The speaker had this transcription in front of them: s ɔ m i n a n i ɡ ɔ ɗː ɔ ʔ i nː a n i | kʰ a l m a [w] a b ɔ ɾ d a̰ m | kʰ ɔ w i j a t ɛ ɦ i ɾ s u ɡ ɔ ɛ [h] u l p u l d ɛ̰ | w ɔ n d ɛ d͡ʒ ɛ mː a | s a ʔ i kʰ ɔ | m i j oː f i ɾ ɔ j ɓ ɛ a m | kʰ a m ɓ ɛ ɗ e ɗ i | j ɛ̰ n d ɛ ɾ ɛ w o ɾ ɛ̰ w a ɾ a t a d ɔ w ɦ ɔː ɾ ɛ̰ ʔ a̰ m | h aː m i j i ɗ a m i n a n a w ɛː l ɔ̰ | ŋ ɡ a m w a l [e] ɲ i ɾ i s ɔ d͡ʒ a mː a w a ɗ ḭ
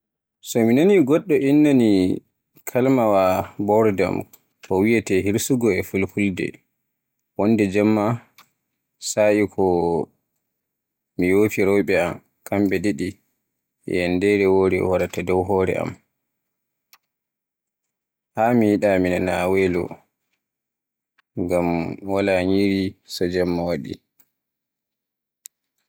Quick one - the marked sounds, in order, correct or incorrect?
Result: correct, incorrect: f, incorrect: a

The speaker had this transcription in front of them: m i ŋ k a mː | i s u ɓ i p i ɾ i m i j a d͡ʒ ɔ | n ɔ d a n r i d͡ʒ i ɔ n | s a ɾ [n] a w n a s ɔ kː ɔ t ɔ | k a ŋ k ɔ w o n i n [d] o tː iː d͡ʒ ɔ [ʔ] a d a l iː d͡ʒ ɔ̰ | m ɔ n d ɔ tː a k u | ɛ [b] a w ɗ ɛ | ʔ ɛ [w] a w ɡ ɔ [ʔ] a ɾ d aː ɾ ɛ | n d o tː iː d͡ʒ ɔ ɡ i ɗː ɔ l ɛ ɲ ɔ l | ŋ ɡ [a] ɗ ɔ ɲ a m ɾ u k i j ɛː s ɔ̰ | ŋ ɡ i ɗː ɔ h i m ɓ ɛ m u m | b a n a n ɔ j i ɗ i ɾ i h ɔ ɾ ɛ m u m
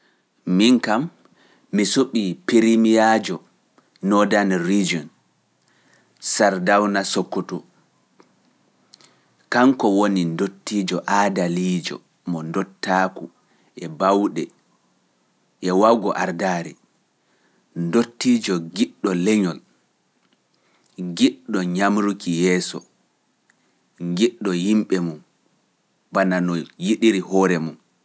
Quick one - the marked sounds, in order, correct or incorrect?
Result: incorrect: d, correct, correct, correct, correct, correct, incorrect: i

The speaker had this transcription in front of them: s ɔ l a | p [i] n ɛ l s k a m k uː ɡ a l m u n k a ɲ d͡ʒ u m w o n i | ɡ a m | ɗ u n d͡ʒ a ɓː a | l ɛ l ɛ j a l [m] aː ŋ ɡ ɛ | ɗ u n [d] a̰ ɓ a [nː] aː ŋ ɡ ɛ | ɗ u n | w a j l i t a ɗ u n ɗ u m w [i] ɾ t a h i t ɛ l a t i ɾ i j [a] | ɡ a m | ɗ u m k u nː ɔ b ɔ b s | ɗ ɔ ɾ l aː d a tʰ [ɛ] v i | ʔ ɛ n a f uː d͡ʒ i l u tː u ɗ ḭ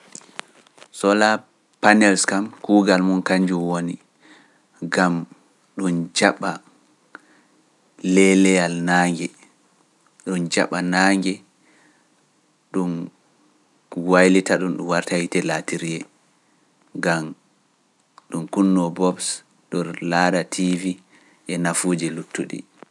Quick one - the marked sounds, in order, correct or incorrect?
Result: incorrect: a, incorrect: n, incorrect: d͡ʒ, incorrect: n, incorrect: a, incorrect: ɛ, incorrect: i

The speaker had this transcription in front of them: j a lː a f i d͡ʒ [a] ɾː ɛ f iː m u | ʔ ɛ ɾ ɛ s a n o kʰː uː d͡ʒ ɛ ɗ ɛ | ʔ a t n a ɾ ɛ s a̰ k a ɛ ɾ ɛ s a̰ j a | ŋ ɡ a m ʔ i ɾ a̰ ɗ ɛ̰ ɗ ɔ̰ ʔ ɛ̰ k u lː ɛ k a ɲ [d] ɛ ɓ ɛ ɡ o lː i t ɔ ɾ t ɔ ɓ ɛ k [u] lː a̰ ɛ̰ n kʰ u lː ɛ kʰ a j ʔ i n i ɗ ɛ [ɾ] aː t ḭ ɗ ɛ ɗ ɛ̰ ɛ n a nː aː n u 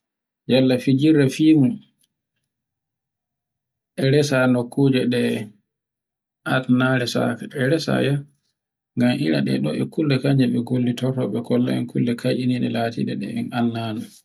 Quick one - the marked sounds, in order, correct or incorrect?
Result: incorrect: i, incorrect: d͡ʒ, incorrect: ɔ, incorrect: l

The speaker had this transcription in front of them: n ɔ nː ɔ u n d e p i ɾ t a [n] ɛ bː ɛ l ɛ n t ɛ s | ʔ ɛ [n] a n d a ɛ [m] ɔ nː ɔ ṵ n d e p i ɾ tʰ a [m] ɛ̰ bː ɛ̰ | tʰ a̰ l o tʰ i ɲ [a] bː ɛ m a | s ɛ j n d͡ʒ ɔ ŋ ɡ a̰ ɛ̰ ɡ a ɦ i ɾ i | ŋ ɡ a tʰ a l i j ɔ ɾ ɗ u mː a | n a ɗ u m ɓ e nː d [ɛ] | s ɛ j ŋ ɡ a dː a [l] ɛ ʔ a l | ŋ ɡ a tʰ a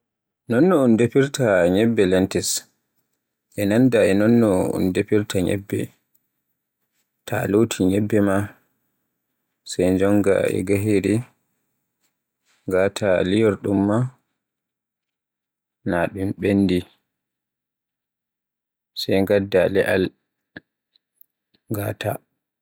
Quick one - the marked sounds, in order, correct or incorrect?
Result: incorrect: ɲ, correct, incorrect: n, incorrect: ɲ, incorrect: ɛ, incorrect: i, correct

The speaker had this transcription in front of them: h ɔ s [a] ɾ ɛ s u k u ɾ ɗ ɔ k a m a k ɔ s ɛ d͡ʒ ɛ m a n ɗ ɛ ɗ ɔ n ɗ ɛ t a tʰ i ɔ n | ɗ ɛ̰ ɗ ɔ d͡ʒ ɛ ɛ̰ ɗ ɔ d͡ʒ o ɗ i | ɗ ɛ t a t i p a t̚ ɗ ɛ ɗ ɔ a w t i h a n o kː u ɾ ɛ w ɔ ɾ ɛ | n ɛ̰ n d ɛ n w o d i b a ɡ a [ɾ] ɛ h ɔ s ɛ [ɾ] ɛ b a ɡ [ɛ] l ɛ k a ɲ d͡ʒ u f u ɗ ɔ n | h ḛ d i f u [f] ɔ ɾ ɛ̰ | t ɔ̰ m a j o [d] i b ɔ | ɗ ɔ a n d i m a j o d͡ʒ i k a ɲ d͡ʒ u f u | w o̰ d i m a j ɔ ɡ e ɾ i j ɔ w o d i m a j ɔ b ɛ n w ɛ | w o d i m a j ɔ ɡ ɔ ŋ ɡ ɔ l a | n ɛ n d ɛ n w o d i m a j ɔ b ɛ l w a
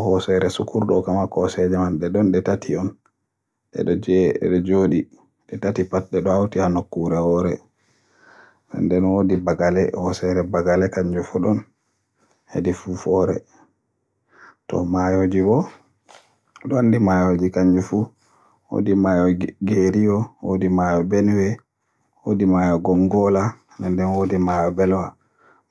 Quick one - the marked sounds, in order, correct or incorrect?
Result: incorrect: ɛ, incorrect: l, correct, incorrect: a, correct, incorrect: d͡ʒ

